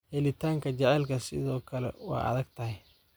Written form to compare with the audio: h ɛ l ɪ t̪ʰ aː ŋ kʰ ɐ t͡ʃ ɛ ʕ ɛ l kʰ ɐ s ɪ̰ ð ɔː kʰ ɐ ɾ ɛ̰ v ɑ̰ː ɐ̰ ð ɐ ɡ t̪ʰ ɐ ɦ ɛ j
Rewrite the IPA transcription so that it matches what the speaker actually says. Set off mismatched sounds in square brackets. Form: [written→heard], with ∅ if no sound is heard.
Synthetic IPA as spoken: h ɛ l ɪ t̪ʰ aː ŋ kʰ ɐ t͡ʃ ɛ ʕ ɛ l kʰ ɐ s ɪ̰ ð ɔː kʰ ɐ [ɾ→l] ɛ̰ [v→w] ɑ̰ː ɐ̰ ð ɐ ɡ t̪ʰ ɐ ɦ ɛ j